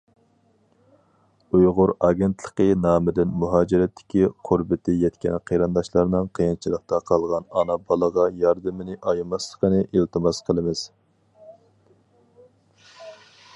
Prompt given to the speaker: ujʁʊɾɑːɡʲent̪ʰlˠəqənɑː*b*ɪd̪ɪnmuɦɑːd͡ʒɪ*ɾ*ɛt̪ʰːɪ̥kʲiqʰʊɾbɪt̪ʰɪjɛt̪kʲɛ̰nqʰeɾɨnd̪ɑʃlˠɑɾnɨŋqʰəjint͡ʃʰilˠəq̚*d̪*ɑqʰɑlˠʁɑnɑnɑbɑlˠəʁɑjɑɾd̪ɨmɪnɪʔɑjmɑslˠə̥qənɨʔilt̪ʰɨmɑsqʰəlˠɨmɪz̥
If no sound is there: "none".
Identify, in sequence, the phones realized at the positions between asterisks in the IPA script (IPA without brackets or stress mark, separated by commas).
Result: m, ɾ, t̪